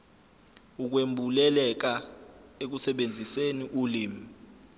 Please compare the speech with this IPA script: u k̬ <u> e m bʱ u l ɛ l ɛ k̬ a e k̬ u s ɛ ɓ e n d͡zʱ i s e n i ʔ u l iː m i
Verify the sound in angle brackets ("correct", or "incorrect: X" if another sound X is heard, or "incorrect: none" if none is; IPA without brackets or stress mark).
incorrect: w